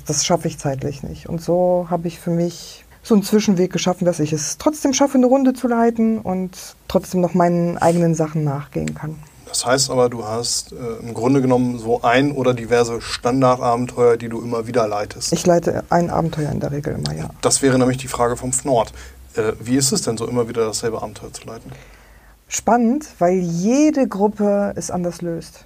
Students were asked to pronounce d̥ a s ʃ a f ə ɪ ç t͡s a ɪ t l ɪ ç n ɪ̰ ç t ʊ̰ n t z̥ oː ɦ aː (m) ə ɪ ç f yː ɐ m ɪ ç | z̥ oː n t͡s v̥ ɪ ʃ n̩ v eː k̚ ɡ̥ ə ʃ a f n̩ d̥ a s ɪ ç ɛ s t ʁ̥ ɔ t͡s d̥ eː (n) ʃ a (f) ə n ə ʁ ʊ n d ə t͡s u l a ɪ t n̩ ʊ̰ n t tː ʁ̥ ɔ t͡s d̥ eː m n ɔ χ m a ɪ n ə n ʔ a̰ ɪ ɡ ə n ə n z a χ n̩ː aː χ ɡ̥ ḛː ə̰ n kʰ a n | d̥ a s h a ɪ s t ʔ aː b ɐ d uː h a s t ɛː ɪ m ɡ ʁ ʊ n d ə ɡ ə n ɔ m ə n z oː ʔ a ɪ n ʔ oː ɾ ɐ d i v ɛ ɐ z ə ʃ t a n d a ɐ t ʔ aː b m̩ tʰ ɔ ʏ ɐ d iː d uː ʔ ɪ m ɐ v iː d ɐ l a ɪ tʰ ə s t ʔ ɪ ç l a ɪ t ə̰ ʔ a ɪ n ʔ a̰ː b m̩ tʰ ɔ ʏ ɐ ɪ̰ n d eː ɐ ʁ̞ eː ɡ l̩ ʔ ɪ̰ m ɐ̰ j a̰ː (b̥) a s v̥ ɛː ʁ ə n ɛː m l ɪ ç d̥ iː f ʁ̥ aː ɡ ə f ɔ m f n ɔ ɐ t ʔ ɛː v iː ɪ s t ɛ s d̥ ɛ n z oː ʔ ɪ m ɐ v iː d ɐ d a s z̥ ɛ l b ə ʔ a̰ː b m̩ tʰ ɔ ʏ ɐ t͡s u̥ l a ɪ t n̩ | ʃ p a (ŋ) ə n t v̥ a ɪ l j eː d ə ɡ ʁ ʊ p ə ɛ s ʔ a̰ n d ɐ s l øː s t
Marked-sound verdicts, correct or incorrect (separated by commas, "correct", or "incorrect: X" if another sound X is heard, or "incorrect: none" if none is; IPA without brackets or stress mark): incorrect: b, incorrect: m, correct, incorrect: d̥, incorrect: n